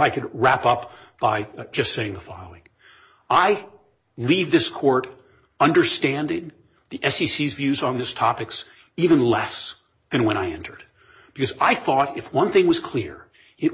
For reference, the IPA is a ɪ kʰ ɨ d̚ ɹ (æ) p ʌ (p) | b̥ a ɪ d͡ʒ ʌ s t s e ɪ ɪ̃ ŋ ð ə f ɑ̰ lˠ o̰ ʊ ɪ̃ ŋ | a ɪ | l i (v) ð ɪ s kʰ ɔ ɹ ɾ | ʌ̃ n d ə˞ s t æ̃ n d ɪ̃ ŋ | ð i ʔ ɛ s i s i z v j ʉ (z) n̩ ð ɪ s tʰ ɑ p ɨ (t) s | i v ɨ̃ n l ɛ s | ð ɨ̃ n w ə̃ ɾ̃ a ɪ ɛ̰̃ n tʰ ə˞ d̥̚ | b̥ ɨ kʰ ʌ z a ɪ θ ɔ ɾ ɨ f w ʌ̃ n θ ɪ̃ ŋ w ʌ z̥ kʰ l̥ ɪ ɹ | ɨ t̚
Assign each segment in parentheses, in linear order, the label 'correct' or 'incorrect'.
correct, correct, correct, correct, incorrect: k

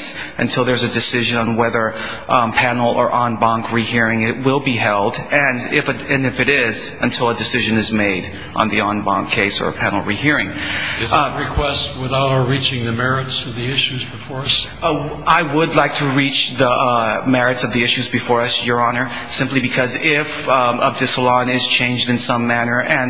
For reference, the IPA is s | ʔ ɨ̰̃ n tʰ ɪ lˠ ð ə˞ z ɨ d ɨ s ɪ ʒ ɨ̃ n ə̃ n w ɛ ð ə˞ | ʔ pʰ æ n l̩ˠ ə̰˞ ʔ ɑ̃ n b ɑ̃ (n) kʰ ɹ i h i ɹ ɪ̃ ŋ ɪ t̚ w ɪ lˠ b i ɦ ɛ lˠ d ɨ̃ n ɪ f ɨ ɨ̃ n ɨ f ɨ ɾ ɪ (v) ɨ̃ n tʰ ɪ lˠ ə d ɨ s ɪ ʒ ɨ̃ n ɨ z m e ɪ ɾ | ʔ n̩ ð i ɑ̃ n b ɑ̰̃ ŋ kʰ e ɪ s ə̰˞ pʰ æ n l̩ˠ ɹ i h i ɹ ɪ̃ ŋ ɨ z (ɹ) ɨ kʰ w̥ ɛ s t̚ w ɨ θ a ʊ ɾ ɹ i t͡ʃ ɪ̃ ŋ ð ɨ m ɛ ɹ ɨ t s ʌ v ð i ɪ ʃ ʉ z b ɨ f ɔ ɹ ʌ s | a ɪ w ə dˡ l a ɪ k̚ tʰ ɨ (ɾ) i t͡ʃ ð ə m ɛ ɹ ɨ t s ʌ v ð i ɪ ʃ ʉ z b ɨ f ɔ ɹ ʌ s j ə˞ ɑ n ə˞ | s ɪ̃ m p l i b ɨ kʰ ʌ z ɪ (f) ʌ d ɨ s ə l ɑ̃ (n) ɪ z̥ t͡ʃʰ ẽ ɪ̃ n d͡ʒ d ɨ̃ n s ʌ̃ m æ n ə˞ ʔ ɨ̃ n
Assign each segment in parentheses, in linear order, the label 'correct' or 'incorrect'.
incorrect: ŋ, incorrect: z, correct, incorrect: ɹ, correct, correct

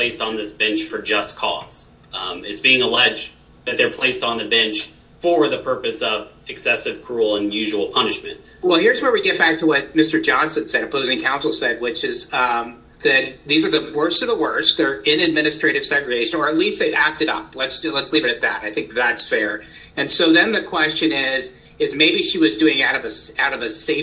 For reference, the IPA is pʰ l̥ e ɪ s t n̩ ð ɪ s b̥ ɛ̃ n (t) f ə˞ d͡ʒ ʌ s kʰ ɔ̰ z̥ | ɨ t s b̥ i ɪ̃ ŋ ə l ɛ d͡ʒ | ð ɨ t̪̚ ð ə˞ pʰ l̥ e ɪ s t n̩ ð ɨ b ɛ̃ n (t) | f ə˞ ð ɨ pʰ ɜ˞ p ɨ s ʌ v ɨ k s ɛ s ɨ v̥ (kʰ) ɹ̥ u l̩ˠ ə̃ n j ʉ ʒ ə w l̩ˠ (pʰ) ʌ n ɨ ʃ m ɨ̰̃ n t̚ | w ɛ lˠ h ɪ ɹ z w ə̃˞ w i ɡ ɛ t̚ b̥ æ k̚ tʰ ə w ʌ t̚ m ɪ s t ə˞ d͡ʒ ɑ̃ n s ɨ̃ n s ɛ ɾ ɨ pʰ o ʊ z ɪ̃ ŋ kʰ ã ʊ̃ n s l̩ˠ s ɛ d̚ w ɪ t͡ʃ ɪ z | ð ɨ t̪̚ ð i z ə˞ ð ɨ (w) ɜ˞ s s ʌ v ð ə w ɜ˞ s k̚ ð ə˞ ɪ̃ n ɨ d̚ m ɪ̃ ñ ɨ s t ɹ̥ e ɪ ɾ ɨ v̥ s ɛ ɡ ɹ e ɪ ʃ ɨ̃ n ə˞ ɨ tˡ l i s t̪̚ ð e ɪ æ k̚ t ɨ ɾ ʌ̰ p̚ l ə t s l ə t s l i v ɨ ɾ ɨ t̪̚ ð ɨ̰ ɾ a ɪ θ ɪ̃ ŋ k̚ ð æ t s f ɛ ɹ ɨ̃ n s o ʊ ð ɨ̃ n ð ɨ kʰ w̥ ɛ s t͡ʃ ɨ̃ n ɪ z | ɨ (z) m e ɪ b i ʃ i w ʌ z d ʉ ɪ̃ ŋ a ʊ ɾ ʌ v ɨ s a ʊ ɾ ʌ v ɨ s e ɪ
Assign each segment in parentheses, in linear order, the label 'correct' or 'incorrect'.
incorrect: t͡ʃ, incorrect: t͡ʃ, correct, correct, correct, correct

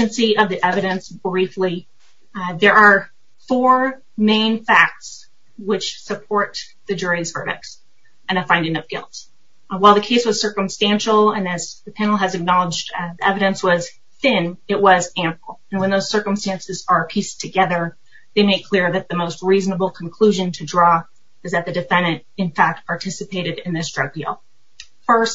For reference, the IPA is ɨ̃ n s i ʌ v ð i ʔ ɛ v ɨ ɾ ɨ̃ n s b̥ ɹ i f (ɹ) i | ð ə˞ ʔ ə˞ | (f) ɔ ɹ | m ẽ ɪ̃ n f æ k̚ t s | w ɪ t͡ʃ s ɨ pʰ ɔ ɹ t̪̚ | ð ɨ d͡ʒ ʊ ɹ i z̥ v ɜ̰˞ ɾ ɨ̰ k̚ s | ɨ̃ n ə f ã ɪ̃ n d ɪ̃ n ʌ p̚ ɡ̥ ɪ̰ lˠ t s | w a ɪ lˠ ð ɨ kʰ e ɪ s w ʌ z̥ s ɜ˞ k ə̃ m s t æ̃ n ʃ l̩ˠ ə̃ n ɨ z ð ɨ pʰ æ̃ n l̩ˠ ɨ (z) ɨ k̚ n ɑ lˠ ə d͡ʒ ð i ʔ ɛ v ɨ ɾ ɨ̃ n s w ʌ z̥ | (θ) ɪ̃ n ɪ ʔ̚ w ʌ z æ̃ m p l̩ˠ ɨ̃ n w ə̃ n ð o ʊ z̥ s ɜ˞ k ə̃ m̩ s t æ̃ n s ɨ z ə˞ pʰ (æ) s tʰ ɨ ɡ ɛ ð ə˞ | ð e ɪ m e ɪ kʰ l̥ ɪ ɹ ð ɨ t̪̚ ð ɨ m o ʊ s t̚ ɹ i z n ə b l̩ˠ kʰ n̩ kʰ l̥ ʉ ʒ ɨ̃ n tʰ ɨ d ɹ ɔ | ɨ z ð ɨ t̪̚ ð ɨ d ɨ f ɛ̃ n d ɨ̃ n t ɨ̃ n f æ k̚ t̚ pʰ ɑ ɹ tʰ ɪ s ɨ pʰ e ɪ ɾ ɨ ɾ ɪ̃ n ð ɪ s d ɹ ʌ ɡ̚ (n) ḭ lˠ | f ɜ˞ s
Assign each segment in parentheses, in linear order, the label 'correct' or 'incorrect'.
incorrect: l, correct, correct, correct, incorrect: i, incorrect: d

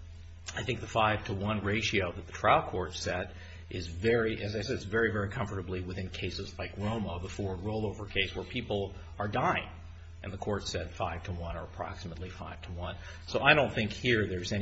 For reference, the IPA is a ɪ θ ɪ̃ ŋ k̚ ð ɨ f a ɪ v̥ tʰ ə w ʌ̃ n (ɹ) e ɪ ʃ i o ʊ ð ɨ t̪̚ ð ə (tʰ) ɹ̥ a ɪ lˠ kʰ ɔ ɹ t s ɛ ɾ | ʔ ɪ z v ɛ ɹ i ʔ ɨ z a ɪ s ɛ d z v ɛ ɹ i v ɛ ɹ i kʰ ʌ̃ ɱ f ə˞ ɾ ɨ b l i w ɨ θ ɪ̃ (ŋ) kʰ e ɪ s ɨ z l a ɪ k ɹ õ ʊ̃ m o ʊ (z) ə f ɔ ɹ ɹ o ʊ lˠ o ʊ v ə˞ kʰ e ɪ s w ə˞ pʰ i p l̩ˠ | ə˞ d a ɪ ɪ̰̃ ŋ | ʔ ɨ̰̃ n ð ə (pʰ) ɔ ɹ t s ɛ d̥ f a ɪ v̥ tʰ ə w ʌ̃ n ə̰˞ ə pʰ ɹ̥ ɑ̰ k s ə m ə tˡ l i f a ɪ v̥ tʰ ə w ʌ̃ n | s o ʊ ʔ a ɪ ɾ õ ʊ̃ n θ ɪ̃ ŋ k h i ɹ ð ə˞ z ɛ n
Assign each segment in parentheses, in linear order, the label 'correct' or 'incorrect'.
correct, correct, incorrect: n, incorrect: ð, incorrect: kʰ

